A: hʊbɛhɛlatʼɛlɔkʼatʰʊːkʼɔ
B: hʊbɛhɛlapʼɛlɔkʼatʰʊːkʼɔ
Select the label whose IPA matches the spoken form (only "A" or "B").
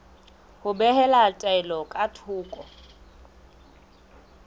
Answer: A